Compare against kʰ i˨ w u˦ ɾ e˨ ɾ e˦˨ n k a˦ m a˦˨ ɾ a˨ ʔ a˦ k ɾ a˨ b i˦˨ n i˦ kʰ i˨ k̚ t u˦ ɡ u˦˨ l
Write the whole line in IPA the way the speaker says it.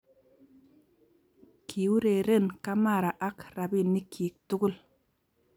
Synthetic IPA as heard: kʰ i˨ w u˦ ɾ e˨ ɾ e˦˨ n k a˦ m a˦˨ ɾ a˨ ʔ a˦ k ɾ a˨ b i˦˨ n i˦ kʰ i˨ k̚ t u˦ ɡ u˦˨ l